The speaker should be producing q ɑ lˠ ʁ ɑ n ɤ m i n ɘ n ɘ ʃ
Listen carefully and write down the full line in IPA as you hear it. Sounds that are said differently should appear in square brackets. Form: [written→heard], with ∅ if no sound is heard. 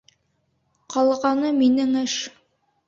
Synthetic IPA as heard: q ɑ lˠ ʁ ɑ n ɤ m i n ɘ [n→ŋ] ɘ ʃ

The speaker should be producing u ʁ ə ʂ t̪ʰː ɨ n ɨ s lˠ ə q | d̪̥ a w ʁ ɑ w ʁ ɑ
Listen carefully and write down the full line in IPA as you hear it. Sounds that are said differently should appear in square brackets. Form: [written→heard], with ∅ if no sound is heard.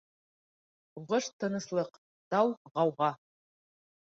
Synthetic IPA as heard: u ʁ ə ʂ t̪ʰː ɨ n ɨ s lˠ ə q | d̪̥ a w ʁ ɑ w ʁ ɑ

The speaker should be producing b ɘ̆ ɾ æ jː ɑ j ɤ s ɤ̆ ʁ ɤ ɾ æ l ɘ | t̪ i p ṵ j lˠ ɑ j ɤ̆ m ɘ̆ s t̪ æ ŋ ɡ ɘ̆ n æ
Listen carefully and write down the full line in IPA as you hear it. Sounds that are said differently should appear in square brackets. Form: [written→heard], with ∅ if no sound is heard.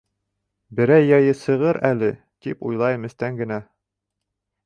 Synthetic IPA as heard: b ɘ̆ ɾ æ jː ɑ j ɤ s ɤ̆ ʁ ɤ ɾ æ l ɘ | t̪ i p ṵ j lˠ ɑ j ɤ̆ m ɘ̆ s t̪ æ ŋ ɡ ɘ̆ n æ

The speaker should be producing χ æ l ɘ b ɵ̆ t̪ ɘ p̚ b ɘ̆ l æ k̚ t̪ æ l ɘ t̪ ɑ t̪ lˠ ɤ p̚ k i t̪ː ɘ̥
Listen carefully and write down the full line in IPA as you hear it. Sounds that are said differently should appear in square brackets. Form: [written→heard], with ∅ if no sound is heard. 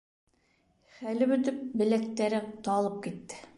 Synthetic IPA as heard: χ æ l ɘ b ɵ̆ t̪ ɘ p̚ b ɘ̆ l æ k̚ t̪ æ [l→ɾ] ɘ t̪ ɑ [t̪→∅] lˠ ɤ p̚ k i t̪ː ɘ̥

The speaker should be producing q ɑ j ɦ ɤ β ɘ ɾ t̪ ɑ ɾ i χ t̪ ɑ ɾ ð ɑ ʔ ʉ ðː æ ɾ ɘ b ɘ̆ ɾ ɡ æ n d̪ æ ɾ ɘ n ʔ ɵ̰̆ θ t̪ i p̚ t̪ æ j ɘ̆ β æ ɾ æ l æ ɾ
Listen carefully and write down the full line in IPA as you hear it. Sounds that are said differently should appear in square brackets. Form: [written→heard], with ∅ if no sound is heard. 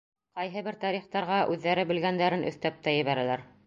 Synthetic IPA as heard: q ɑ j ɦ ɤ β ɘ ɾ t̪ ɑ ɾ i χ t̪ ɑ ɾ [ð→ʁ] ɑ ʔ ʉ ðː æ ɾ ɘ b ɘ̆ [ɾ→l] ɡ æ n d̪ æ ɾ ɘ n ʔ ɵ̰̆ θ t̪ [i→æ] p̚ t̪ æ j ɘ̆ β æ ɾ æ l æ ɾ

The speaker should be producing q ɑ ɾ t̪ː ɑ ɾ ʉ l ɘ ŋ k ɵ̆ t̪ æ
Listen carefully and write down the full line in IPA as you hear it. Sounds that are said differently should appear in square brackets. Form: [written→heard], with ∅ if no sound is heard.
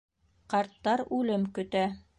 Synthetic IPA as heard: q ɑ ɾ t̪ː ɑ ɾ ʉ l ɘ [ŋ→m] k ɵ̆ t̪ æ

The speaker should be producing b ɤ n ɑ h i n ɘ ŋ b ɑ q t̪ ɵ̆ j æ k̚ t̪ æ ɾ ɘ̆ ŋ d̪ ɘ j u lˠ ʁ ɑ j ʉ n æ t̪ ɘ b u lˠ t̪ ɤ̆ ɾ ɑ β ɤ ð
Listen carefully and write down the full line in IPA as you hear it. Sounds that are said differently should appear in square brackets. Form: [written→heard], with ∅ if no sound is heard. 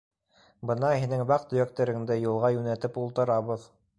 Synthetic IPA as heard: b ɤ n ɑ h i n ɘ ŋ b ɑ q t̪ ɵ̆ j æ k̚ t̪ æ ɾ ɘ̆ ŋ d̪ ɘ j u lˠ ʁ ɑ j ʉ n æ t̪ ɘ [b→p] u lˠ t̪ ɤ̆ ɾ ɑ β ɤ ð

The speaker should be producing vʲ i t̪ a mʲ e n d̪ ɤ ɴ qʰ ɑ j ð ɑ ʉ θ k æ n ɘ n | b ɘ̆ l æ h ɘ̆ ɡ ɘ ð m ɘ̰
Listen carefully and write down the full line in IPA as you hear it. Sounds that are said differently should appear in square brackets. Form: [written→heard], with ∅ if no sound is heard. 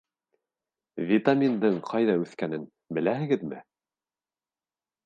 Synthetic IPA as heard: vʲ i t̪ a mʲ [e→i] n d̪ ɤ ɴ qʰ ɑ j ð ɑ ʉ θ k æ n ɘ n | b ɘ̆ l æ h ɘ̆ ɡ ɘ ð m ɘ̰

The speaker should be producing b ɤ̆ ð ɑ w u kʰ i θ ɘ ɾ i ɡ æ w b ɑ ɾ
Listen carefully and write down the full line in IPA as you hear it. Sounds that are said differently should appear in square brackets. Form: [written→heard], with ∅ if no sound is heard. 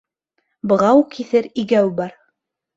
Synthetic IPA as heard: b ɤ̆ [ð→ʁ] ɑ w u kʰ i θ ɘ ɾ i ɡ æ w b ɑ ɾ

